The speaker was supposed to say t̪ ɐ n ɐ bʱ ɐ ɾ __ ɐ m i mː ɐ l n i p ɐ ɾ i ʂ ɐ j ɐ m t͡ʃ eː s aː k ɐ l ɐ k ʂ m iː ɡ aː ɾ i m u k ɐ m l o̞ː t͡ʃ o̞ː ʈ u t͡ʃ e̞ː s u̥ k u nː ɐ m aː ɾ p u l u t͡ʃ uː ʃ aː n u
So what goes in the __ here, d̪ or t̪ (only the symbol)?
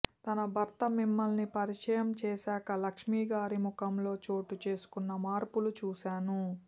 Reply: t̪